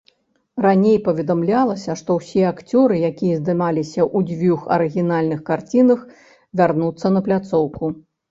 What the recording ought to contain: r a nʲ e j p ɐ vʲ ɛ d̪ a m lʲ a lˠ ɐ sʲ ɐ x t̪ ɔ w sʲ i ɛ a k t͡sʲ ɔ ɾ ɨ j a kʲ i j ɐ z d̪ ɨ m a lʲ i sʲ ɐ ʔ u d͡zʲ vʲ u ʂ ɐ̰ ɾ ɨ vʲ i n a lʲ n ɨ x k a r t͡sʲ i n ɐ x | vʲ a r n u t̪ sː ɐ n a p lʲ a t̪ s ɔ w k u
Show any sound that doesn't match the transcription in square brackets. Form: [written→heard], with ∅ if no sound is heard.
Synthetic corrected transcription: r a nʲ e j p ɐ vʲ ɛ d̪ a m lʲ a lˠ ɐ sʲ ɐ [x→ʂ] t̪ ɔ w sʲ i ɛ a k t͡sʲ ɔ ɾ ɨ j a kʲ i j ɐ z d̪ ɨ m a lʲ i sʲ ɐ ʔ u d͡zʲ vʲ u [ʂ→x] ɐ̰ ɾ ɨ [vʲ→ɣʲ] i n a lʲ n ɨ x k a r t͡sʲ i n ɐ x | vʲ a r n u t̪ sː ɐ n [a→ɐ] p lʲ a t̪ s ɔ w k u

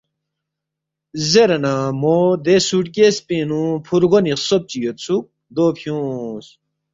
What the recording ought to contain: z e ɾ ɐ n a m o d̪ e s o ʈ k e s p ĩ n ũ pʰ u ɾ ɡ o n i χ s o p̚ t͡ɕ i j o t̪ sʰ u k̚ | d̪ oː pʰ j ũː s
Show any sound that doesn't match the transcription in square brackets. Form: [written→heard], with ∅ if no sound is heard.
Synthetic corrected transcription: z e ɾ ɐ n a m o d̪ e s [o→u] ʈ k e s p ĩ n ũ pʰ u ɾ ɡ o n i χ s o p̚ t͡ɕ i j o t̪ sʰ u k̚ | d̪ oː pʰ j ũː s

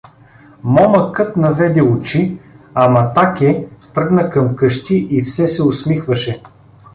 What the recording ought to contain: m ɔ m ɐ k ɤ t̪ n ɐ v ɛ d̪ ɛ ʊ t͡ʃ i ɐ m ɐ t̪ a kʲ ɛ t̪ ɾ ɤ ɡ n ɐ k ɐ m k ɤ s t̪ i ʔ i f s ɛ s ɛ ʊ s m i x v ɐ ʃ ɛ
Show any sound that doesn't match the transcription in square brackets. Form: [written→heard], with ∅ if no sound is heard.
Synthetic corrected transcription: m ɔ m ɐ k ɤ t̪ n ɐ v ɛ d̪ ɛ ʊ t͡ʃ i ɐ m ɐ t̪ a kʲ ɛ t̪ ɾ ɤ ɡ n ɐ k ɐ m k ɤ [s→ʃ] t̪ i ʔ i f s ɛ s ɛ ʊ s m i x v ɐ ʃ ɛ

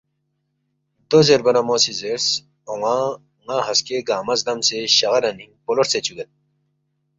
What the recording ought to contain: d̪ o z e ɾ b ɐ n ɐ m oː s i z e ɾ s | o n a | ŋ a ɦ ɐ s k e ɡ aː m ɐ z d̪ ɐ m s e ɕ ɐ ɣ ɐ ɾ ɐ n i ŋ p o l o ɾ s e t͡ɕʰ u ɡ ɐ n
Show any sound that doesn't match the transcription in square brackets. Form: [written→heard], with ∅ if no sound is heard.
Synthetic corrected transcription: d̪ o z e ɾ b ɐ n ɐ m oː s i z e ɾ s | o [n→ŋ] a | ŋ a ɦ ɐ s k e ɡ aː m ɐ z d̪ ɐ m s e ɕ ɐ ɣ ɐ ɾ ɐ n i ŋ p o l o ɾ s e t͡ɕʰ u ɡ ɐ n

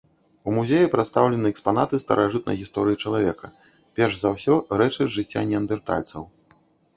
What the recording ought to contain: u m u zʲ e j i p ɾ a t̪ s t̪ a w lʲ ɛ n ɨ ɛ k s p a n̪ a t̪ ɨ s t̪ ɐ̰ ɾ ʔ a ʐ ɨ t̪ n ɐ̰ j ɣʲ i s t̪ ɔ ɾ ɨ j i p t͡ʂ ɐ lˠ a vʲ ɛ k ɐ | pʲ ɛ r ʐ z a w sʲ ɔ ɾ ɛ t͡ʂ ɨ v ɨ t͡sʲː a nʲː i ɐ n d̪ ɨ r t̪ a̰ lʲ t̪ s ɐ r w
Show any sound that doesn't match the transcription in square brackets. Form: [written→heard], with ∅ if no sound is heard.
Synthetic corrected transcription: u m u zʲ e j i p ɾ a t̪ s t̪ a w lʲ ɛ n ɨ ɛ k s p a n̪ a t̪ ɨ s t̪ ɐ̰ ɾ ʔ a ʐ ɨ t̪ n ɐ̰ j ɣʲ i s t̪ ɔ ɾ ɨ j i [p→∅] t͡ʂ ɐ lˠ a vʲ ɛ k ɐ | pʲ ɛ r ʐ z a w sʲ ɔ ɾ ɛ t͡ʂ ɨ [v→ʐ] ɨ t͡sʲː a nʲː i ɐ n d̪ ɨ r t̪ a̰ lʲ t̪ s ɐ [r→∅] w

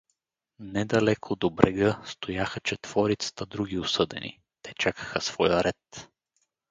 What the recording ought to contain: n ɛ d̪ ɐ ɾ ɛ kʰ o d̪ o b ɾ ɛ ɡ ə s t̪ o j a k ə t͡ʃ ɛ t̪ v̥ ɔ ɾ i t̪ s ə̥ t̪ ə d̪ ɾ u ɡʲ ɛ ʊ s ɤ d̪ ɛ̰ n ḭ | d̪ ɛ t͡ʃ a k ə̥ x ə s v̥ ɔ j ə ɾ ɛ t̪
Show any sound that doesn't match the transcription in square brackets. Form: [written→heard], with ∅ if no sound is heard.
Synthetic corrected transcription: n ɛ d̪ ɐ [ɾ→l] ɛ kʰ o d̪ o b ɾ ɛ ɡ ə s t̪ o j a [k→x] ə t͡ʃ ɛ t̪ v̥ ɔ ɾ i t̪ s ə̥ t̪ ə d̪ ɾ u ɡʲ [ɛ→i] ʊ s ɤ d̪ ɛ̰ n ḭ | [d̪→t̪] ɛ t͡ʃ a k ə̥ x ə s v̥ ɔ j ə ɾ ɛ t̪

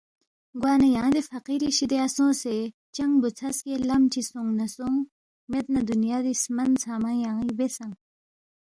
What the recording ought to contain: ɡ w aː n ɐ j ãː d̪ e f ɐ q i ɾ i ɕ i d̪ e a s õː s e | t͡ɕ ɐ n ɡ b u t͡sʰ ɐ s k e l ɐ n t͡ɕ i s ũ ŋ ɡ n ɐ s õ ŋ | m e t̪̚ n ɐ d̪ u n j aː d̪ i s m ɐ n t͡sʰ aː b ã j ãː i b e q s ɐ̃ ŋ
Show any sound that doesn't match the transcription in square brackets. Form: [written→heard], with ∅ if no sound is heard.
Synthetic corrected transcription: ɡ w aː n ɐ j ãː d̪ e f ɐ q i ɾ i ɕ i d̪ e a s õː s e | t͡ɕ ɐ [n→ŋ] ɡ b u t͡sʰ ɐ s k e l ɐ [n→m] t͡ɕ i s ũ ŋ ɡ n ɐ s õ ŋ | m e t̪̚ n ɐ d̪ u n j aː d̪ i s m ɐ n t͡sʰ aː [b→m] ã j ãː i b e [q→∅] s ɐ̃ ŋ

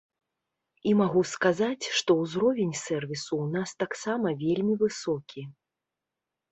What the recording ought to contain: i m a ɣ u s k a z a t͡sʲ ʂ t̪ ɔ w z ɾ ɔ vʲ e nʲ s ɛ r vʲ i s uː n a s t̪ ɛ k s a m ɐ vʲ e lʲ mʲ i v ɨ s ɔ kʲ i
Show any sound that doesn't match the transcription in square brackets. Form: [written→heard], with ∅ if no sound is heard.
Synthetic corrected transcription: i m a ɣ u s k a z a t͡sʲ ʂ t̪ ɔ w z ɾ ɔ vʲ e nʲ s ɛ r vʲ i s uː n a s t̪ [ɛ→a] k s a m ɐ vʲ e lʲ mʲ i v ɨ s ɔ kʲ i

